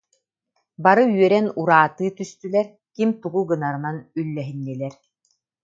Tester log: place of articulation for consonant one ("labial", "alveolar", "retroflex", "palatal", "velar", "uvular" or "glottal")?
labial